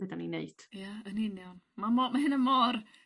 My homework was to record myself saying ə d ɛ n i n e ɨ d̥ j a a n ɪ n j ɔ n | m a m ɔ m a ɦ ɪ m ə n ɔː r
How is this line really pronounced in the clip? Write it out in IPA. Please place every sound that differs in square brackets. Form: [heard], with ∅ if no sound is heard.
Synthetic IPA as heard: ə d [a] n i n e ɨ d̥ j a [ə] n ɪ n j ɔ n | m a m ɔ m a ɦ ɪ [n] ə [m] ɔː r